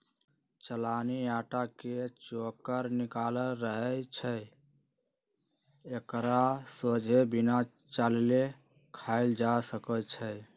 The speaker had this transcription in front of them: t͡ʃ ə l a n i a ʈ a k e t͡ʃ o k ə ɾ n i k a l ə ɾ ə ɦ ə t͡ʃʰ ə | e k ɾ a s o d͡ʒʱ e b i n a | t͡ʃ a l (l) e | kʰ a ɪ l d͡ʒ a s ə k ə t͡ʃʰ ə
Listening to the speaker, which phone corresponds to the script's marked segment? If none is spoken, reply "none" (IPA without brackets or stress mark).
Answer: l